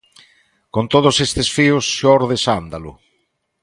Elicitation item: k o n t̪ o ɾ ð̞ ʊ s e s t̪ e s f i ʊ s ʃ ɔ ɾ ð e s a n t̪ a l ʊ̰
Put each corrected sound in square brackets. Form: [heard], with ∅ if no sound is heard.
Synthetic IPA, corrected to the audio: k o n t̪ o [∅] ð̞ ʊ s e s t̪ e s f i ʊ s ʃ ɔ ɾ ð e s a n [d̪] a l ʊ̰